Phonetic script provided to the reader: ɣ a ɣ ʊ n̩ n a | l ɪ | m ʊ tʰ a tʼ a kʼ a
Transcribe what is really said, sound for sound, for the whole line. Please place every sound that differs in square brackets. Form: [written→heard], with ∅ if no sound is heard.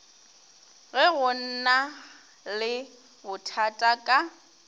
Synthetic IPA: ɣ [a→ɛ] ɣ ʊ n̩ n a | l ɪ | [m→b] ʊ tʰ a tʼ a kʼ a